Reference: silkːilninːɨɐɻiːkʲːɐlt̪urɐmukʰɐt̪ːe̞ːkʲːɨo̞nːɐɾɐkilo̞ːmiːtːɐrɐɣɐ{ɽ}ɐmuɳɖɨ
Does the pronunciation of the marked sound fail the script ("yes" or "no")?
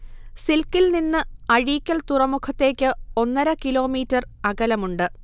yes